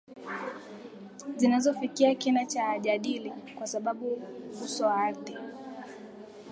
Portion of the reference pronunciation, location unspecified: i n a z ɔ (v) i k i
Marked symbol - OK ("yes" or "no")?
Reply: no